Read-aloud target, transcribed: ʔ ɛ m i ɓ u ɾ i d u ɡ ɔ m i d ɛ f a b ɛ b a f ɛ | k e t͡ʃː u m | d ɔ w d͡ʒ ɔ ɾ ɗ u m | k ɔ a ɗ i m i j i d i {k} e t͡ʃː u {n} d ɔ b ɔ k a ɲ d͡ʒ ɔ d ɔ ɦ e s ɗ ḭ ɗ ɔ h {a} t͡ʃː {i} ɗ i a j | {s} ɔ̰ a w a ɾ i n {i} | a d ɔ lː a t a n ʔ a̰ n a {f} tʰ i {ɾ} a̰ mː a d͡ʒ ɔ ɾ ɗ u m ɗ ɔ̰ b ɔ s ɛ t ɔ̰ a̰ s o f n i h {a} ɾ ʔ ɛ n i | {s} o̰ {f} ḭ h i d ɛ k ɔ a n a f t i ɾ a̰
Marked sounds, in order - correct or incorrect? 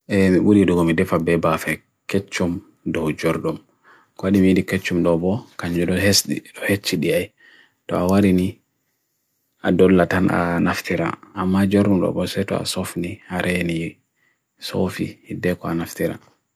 correct, incorrect, incorrect, correct, incorrect, correct, correct, correct, correct, correct, correct

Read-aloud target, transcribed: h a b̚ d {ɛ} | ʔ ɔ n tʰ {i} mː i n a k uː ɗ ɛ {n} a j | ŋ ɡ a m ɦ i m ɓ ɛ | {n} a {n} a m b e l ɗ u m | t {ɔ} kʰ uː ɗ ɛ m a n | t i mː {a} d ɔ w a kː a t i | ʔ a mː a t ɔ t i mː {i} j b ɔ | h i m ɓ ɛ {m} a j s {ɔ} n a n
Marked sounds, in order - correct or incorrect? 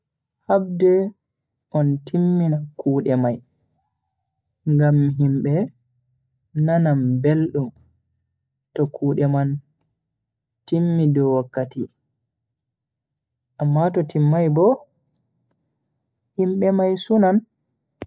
correct, correct, incorrect, correct, correct, correct, incorrect, incorrect, correct, incorrect

